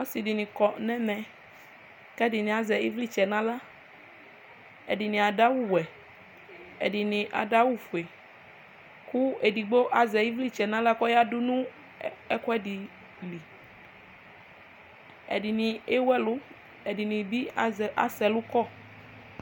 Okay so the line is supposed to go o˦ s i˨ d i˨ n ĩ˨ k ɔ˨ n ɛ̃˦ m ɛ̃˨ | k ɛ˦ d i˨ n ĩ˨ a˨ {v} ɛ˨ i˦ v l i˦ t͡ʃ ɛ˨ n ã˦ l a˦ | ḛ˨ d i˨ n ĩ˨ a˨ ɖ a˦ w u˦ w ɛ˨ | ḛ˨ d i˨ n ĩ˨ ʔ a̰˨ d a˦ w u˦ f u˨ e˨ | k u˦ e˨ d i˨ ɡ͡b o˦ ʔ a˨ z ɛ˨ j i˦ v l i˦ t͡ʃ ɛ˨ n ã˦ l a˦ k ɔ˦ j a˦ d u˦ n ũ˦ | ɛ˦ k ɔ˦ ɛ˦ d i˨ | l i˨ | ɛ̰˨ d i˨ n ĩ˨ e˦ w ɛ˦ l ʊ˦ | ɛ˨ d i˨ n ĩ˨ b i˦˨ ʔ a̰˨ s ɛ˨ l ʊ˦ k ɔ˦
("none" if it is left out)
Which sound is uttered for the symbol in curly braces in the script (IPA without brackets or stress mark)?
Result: z